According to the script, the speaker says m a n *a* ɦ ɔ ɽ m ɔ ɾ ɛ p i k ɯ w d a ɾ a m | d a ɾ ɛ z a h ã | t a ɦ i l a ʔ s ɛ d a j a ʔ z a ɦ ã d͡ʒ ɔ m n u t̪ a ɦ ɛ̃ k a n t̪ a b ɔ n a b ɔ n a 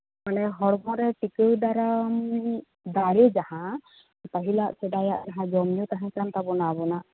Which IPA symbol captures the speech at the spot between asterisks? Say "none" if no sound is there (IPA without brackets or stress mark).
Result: ɛ